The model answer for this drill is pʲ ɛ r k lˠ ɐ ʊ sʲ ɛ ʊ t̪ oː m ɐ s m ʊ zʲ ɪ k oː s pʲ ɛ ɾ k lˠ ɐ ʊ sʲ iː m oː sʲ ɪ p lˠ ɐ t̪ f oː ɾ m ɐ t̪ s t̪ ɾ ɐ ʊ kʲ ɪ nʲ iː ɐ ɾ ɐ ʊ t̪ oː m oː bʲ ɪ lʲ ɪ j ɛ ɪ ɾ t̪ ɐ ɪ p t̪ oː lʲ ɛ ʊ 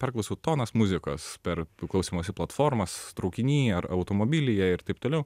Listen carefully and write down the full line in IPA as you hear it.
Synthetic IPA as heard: pʲ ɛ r k lˠ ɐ ʊ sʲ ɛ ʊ t̪ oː n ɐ s m ʊ zʲ ɪ k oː s pʲ ɛ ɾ k lˠ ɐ ʊ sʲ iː m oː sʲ ɪ p lˠ ɐ t̪ f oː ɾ m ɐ s t̪ ɾ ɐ ʊ kʲ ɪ nʲ iː ɐ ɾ ɐ ʊ t̪ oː m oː bʲ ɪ lʲ ɪ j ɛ ɪ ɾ t̪ ɐ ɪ p t̪ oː lʲ ɛ ʊ

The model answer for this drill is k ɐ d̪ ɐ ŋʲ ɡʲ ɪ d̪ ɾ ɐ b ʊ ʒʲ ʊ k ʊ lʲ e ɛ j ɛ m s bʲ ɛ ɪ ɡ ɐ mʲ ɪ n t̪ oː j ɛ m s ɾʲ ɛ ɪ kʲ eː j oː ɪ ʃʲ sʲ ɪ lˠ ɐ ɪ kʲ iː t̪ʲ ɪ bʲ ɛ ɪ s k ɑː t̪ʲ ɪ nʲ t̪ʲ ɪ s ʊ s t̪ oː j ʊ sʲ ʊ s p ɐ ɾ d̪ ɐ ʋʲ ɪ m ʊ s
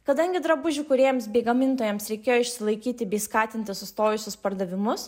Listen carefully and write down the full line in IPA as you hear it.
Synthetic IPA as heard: k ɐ d̪ ɐ ŋʲ ɡʲ ɪ d̪ ɾ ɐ b ʊ ʒʲ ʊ k ʊ ɾʲ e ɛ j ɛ m s bʲ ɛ ɪ ɡ ɐ mʲ ɪ n t̪ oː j ɛ m s ɾʲ ɛ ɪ kʲ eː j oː ɪ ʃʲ sʲ ɪ lˠ ɐ ɪ kʲ iː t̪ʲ ɪ bʲ ɛ ɪ s k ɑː t̪ʲ ɪ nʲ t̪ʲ ɪ s ʊ s t̪ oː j ʊ sʲ ʊ s p ɐ ɾ d̪ ɐ ʋʲ ɪ m ʊ s

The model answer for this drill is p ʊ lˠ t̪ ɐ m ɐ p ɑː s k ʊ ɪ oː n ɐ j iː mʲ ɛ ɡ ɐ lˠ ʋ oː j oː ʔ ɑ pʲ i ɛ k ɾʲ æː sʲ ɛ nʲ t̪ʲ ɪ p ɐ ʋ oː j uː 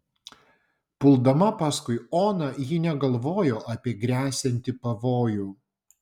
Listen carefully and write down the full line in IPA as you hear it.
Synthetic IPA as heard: p ʊ lˠ d̪ ɐ m ɐ p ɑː s k ʊ ɪ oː n ɐ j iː nʲ ɛ ɡ ɐ lˠ ʋ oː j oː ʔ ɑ pʲ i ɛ ɡ ɾʲ æː sʲ ɛ nʲ t̪ʲ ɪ p ɐ ʋ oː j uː

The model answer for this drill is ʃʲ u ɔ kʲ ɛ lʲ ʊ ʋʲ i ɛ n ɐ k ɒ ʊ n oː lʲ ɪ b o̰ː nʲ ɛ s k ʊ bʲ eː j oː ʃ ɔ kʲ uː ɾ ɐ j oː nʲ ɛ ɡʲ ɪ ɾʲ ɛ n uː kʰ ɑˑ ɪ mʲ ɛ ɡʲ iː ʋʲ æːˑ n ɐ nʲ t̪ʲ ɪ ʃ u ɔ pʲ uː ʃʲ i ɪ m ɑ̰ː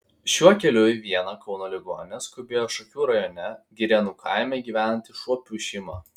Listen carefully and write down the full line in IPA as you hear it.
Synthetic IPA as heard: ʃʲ u ɔ kʲ ɛ lʲ ʊ ʋʲ i ɛ n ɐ k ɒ ʊ n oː lʲ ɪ ɡ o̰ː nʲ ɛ s k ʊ bʲ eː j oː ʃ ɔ kʲ uː ɾ ɐ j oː nʲ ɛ ɡʲ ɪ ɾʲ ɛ n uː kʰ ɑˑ ɪ mʲ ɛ ɡʲ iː ʋʲ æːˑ n ɐ nʲ t̪ʲ ɪ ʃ u ɔ pʲ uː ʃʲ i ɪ m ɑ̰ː

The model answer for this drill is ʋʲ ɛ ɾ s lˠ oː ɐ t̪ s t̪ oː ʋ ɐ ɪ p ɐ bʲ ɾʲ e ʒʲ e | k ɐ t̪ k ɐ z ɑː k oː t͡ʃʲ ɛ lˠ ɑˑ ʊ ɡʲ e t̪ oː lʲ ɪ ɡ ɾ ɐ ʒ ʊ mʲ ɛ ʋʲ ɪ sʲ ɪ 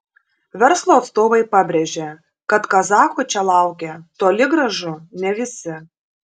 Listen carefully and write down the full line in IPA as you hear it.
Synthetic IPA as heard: ʋʲ ɛ ɾ s lˠ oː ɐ t̪ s t̪ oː ʋ ɐ ɪ p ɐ bʲ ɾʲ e ʒʲ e | k ɐ t̪ k ɐ z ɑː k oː t͡ʃʲ ɛ lˠ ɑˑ ʊ kʲ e t̪ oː lʲ ɪ ɡ ɾ ɐ ʒ ʊ nʲ ɛ ʋʲ ɪ sʲ ɪ

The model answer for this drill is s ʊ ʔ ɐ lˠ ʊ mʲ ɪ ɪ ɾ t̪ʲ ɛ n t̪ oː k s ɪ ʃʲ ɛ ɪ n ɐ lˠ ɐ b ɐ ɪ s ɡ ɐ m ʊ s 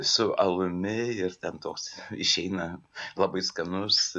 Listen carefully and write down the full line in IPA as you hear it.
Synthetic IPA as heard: s ʊ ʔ ɐ lˠ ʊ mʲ ɪ ɪ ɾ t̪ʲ ɛ n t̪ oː k s ɪ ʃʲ ɛ ɪ n ɐ lˠ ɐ b ɐ ɪ s k ɐ n ʊ s

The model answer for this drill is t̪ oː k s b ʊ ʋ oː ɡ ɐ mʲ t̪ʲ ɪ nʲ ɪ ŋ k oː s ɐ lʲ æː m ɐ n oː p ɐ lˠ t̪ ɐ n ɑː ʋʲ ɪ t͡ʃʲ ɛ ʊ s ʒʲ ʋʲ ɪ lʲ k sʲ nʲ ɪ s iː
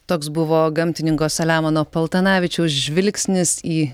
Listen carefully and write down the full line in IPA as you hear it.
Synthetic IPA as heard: t̪ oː k s b ʊ ʋ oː ɡ ɐ mʲ t̪ʲ ɪ nʲ ɪ ŋ k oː s ɐ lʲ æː m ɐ n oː p ɐ lˠ t̪ ɐ n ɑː ʋʲ ɪ t͡ʃʲ ɛ ʊ s ʒʲ ʋʲ ɪ lʲ k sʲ nʲ ɪ s iː

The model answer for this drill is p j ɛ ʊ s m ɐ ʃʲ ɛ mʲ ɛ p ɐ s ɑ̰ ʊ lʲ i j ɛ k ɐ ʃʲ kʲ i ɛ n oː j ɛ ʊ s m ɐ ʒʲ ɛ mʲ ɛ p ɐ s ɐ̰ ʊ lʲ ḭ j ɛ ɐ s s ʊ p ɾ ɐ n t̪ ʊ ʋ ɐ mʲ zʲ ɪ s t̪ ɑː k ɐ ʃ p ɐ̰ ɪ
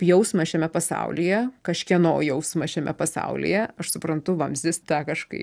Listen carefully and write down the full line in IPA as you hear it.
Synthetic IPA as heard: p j ɛ ʊ s m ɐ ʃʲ ɛ mʲ ɛ p ɐ s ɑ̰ ʊ lʲ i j ɛ k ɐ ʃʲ kʲ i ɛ n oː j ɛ ʊ s m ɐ ʃʲ ɛ mʲ ɛ p ɐ s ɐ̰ ʊ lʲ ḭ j ɛ ɐ ʃ s ʊ p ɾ ɐ n t̪ ʊ ʋ ɐ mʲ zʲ ɪ s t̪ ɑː k ɐ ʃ k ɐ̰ ɪ

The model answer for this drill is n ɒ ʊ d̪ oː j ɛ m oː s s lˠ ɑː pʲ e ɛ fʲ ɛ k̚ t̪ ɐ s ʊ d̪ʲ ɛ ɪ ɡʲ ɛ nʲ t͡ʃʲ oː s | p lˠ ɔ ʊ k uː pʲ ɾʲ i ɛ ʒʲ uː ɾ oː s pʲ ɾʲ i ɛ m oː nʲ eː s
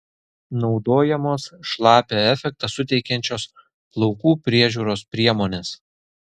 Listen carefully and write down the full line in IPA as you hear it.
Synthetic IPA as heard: n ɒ ʊ d̪ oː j ɛ m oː s ʃ lˠ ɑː pʲ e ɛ fʲ ɛ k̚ t̪ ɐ s ʊ t̪ʲ ɛ ɪ kʲ ɛ nʲ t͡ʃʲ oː s | p lˠ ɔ ʊ k uː pʲ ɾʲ i ɛ ʒʲ uː ɾ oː s pʲ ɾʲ i ɛ m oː nʲ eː s

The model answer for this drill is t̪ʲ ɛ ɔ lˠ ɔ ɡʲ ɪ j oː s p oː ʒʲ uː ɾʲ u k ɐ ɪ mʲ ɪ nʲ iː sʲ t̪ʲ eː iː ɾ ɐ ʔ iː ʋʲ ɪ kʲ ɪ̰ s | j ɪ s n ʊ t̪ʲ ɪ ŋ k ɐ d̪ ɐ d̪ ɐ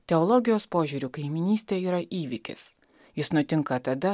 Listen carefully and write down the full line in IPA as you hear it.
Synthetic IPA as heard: t̪ʲ ɛ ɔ lˠ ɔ ɡʲ ɪ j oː s p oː ʒʲ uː ɾʲ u k ɐ ɪ mʲ ɪ nʲ iː sʲ t̪ʲ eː iː ɾ ɐ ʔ iː ʋʲ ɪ kʲ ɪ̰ s | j ɪ s n ʊ t̪ʲ ɪ ŋ k ɐ t̪ ɐ d̪ ɐ

